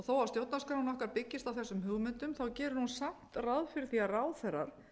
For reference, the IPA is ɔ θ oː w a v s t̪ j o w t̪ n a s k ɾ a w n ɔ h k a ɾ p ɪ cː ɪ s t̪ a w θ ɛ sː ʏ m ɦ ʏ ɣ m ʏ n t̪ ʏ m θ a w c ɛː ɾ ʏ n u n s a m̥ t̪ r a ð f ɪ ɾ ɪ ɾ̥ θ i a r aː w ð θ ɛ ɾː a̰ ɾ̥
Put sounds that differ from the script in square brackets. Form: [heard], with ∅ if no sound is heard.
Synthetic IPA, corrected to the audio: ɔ θ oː w a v s t̪ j o w t̪ n a s k ɾ a w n ɔ h k a ɾ p ɪ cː ɪ s t̪ a w θ ɛ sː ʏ m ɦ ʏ ɣ m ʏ n t̪ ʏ m θ a w c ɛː ɾ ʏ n u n s a m̥ t̪ r a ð f ɪ ɾ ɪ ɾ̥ θ i a r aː w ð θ ɛ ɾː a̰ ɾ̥